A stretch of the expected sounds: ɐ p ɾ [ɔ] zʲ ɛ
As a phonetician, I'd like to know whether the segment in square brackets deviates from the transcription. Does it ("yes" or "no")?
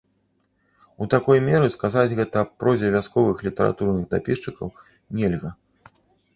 no